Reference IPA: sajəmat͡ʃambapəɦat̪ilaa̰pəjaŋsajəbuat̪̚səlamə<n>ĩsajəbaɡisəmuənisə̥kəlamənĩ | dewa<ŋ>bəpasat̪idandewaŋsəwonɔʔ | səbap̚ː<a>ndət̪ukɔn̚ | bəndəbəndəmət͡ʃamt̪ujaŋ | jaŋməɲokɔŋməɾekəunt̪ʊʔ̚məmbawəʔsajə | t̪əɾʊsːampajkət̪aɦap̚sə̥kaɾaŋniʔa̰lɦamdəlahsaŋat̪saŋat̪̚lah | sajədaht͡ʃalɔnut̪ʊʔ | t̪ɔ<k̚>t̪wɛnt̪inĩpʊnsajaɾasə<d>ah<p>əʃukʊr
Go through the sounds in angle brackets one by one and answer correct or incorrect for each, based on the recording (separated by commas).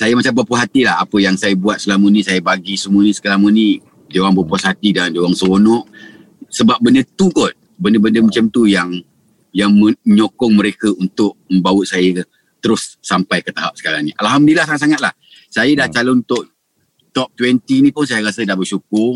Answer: correct, correct, incorrect, incorrect, correct, incorrect